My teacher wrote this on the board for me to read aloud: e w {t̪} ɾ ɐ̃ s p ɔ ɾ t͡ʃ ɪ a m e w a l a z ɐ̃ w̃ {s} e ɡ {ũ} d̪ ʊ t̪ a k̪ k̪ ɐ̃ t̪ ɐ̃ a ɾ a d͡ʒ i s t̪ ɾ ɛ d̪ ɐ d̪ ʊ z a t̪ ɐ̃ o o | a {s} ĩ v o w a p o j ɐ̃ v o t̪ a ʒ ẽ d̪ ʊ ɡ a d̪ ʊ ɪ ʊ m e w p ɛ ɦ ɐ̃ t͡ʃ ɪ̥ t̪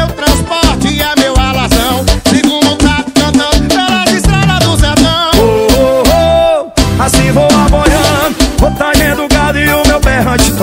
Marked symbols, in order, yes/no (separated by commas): yes, yes, yes, yes